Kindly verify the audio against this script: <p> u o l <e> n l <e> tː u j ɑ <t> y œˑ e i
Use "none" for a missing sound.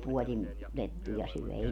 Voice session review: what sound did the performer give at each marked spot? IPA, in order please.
p, i, e, s

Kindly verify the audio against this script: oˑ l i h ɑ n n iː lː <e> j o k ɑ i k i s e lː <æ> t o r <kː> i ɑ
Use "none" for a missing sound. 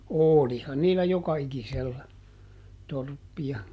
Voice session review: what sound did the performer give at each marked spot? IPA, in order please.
æ, æ, pː

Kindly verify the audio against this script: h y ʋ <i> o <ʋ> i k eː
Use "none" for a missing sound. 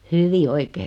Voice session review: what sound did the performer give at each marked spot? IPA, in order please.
i, none

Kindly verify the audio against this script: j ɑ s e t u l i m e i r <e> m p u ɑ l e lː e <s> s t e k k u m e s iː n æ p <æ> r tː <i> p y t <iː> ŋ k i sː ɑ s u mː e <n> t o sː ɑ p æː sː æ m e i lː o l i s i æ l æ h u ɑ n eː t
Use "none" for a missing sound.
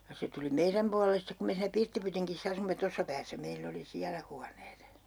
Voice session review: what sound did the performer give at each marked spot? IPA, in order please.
æ, s, i, i, i, none

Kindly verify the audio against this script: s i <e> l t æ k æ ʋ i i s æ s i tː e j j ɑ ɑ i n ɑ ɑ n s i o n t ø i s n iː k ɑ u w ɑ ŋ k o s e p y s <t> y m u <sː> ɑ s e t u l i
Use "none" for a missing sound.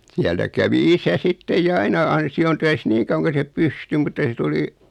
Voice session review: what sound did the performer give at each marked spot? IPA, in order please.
æ, t, tː

